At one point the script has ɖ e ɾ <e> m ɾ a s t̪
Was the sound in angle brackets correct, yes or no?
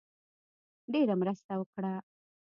no